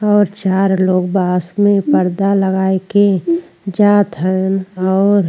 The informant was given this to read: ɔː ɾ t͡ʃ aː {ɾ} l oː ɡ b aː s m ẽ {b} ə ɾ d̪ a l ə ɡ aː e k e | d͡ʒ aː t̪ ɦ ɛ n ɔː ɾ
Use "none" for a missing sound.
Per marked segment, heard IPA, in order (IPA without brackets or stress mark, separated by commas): ɾ, p